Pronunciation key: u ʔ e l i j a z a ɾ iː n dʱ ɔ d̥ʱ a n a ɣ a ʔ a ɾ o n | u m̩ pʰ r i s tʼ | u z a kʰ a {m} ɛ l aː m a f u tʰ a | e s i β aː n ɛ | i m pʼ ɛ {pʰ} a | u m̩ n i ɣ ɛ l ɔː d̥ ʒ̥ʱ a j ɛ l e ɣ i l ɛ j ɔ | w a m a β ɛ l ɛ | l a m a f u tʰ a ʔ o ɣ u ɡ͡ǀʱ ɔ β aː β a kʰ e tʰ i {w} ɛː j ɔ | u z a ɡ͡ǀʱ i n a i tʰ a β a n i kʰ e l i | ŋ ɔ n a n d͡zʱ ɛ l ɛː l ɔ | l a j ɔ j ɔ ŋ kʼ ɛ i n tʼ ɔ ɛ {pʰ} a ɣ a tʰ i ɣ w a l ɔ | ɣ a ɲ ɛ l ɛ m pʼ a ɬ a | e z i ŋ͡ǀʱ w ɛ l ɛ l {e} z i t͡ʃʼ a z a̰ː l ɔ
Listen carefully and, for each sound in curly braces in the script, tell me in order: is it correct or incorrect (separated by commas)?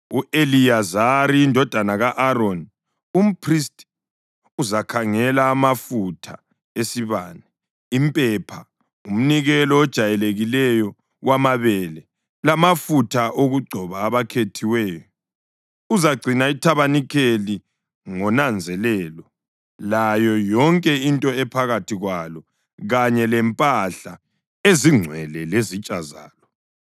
incorrect, correct, correct, correct, correct